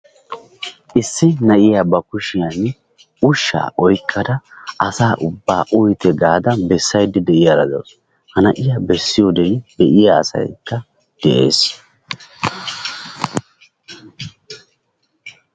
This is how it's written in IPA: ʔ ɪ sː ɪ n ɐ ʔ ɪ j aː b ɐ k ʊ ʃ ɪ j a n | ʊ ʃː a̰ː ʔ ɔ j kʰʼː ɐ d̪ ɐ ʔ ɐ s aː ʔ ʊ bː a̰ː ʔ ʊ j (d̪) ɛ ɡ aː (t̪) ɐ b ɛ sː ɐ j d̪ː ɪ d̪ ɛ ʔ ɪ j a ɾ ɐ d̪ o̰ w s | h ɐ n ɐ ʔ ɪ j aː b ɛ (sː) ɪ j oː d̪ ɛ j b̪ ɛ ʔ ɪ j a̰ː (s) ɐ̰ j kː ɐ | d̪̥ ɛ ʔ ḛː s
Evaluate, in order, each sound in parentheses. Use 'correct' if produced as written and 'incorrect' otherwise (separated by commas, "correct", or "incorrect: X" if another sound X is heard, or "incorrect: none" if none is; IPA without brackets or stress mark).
incorrect: t̪, incorrect: d̪, correct, correct